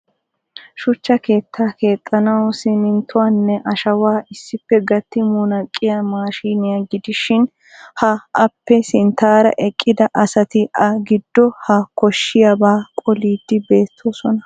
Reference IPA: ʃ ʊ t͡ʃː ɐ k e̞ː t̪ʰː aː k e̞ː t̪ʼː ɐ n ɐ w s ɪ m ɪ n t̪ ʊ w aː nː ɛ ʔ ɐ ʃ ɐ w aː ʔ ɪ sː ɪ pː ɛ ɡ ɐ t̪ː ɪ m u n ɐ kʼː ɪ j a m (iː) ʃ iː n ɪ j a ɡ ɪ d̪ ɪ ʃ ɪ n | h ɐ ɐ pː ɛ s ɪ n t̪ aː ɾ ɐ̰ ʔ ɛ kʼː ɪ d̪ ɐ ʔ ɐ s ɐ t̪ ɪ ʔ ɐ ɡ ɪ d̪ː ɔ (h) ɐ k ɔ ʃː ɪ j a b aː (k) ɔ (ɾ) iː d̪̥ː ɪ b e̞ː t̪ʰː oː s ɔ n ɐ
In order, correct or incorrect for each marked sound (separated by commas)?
incorrect, correct, incorrect, incorrect